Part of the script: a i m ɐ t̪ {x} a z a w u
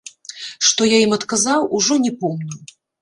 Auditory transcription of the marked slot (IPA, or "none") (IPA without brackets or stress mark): k